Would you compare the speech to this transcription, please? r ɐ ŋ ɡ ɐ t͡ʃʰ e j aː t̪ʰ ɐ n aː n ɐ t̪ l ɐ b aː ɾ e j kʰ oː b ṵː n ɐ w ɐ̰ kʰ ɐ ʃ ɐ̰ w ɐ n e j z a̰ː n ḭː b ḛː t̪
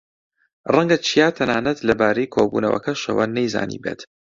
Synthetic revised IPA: r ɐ ŋ ɡ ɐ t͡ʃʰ i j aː t̪ʰ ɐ n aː n ɐ t̪ l ɐ b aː ɾ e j kʰ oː b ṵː n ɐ w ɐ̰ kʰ ɐ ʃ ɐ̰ w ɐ n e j z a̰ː n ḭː b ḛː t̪